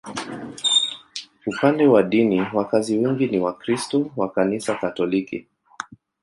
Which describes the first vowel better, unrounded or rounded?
rounded